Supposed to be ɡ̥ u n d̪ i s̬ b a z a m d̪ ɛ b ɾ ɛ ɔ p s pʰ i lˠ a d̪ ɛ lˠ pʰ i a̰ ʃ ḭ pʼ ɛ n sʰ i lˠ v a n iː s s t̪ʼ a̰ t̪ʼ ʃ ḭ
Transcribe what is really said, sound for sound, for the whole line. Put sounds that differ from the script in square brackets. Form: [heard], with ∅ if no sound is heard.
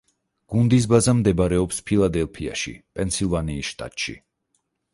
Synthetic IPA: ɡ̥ u n d̪ i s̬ b a z a m d̪ ɛ b ɾ ɛ ɔ p s pʰ i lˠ a d̪ ɛ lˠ pʰ i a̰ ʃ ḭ pʼ ɛ n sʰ i lˠ v a n iː s [ʃ] t̪ʼ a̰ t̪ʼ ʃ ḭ